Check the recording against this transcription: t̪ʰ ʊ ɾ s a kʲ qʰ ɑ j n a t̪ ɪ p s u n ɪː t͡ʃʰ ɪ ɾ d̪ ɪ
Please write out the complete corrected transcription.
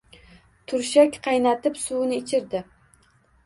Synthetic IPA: t̪ʰ ʊ ɾ ʃ a kʲ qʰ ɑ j n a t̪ ɪ p s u n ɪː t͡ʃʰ ɪ ɾ d̪ ɪ